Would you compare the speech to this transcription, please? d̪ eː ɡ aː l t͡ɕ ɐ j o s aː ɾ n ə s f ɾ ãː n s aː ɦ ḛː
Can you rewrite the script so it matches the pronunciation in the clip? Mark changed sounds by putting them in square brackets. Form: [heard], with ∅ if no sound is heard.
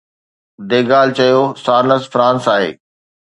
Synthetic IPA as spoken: d̪ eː ɡ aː l t͡ɕ ɐ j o s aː ɾ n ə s f ɾ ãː n s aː ɦ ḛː